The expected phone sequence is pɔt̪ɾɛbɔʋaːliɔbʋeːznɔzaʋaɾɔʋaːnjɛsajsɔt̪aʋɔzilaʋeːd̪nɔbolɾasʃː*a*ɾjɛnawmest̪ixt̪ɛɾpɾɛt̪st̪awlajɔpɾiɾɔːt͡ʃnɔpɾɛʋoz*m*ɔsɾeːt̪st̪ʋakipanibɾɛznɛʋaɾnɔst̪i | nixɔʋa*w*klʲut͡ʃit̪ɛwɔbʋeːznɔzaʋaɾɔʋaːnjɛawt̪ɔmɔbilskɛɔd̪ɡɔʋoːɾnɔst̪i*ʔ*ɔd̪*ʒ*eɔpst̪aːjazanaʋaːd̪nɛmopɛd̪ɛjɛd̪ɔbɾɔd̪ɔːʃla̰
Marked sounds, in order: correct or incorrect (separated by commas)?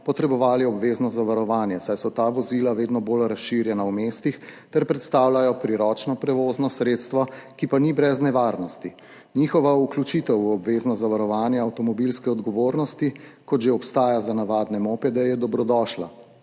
incorrect, incorrect, incorrect, incorrect, correct